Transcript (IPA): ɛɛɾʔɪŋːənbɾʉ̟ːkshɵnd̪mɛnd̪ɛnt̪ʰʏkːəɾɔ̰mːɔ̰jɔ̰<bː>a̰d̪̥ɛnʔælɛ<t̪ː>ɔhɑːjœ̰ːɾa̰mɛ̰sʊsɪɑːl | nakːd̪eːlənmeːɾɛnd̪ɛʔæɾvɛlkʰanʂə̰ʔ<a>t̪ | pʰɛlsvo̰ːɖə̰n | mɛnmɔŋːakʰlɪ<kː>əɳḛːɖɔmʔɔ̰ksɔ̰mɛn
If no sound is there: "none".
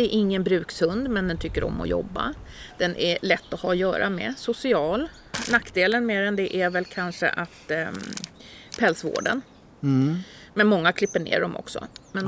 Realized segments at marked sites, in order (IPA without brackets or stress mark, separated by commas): bː, t̪ː, a, pː